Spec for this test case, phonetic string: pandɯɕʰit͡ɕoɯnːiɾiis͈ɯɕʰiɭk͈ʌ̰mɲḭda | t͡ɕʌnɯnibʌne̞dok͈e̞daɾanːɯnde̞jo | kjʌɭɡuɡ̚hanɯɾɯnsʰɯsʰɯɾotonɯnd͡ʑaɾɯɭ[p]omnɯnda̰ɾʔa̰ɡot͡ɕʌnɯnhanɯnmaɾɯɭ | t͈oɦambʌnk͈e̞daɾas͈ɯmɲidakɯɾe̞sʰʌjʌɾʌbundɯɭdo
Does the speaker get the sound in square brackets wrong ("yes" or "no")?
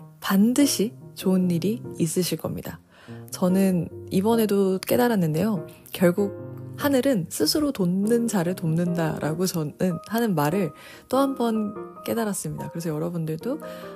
yes